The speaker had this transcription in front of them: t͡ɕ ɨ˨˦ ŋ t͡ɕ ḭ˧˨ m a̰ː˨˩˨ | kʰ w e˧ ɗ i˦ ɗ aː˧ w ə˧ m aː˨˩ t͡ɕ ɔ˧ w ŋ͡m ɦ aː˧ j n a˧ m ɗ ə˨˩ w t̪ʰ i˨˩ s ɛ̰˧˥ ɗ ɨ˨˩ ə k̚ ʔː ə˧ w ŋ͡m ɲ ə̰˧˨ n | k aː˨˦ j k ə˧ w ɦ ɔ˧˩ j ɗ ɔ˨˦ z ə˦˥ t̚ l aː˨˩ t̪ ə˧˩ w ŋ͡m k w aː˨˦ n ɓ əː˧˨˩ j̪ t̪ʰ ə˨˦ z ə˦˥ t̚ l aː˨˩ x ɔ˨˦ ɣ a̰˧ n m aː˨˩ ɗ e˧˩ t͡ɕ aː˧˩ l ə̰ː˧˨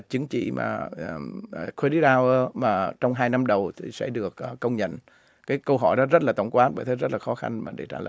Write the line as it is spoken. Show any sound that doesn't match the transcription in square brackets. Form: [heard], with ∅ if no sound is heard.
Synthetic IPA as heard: t͡ɕ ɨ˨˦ ŋ t͡ɕ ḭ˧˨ m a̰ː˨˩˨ | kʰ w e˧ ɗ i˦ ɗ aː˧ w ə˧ m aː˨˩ t͡ɕ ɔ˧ w ŋ͡m ɦ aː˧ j n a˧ m ɗ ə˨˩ w t̪ʰ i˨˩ s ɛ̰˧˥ ɗ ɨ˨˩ ə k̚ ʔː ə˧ w ŋ͡m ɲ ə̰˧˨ n | k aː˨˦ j k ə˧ w ɦ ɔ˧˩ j ɗ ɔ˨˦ z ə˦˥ t̚ l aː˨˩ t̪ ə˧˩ w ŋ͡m k w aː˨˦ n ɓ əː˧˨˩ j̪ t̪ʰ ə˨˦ z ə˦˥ t̚ l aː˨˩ x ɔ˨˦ [x] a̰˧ n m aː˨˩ ɗ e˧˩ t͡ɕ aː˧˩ l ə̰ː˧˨

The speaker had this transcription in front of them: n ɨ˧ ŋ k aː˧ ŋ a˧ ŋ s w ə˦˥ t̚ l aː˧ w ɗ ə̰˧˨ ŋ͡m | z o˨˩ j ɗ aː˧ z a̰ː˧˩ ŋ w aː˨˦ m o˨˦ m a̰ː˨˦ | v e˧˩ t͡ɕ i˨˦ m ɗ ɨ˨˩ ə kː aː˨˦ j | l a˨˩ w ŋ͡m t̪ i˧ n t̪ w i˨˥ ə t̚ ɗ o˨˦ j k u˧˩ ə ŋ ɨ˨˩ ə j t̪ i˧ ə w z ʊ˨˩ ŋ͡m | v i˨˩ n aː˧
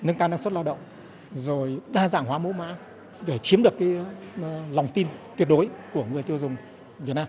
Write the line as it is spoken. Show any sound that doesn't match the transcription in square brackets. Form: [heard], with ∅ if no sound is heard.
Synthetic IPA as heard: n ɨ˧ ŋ k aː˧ [n] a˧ ŋ s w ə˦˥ t̚ l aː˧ w ɗ ə̰˧˨ ŋ͡m | z o˨˩ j ɗ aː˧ z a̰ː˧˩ ŋ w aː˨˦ m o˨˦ m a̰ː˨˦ | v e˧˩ t͡ɕ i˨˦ m ɗ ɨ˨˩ ə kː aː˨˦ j | l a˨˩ w ŋ͡m t̪ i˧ n t̪ w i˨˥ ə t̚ ɗ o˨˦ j k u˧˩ ə ŋ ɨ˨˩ ə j t̪ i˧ ə w z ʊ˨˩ ŋ͡m | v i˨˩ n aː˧

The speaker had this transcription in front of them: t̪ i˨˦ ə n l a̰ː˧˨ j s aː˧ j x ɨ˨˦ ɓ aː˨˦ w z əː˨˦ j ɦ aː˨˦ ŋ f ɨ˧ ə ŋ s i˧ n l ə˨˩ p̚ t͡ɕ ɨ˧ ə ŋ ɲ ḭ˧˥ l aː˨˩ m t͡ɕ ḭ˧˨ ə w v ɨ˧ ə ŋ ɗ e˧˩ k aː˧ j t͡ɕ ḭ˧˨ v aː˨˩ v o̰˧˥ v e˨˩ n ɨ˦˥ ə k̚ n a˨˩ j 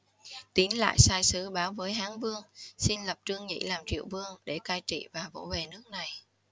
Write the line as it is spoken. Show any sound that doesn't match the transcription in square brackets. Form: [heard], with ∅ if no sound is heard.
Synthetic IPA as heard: t̪ i˨˦ ə n l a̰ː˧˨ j s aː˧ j [s] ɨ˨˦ ɓ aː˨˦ w [v] əː˨˦ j ɦ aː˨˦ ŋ [v] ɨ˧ ə ŋ s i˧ n l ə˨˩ p̚ t͡ɕ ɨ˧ ə ŋ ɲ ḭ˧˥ l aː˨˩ m t͡ɕ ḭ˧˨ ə w v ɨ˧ ə ŋ ɗ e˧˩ k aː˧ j t͡ɕ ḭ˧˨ v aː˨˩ v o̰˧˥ v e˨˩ n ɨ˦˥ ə k̚ n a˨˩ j

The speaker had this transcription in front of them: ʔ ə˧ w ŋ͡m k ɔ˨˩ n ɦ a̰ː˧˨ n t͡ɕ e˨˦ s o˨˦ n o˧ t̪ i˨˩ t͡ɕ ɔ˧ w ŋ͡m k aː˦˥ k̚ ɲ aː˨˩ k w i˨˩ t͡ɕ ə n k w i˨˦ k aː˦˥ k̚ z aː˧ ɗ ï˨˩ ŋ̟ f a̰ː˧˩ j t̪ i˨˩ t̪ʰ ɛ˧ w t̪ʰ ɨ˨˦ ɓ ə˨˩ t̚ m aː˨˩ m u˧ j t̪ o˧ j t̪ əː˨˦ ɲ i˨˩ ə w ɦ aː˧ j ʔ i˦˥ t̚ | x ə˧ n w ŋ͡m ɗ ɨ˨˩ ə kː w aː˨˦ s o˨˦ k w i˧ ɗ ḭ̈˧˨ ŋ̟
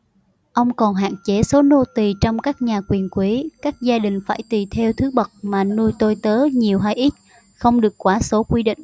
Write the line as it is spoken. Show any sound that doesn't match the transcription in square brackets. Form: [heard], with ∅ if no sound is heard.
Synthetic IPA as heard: ʔ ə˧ w ŋ͡m k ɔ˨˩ n ɦ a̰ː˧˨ n t͡ɕ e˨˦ s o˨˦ n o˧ t̪ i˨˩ t͡ɕ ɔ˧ w ŋ͡m k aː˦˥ k̚ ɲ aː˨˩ k w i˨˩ [∅] ə n k w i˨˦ k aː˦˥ k̚ z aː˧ ɗ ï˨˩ ŋ̟ f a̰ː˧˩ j t̪ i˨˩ t̪ʰ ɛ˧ w t̪ʰ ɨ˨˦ ɓ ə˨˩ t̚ m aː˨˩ [n] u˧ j t̪ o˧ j t̪ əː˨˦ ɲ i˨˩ ə w ɦ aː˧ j ʔ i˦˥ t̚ | x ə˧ [∅] w ŋ͡m ɗ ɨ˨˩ ə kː w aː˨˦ s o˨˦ k w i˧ ɗ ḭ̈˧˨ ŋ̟

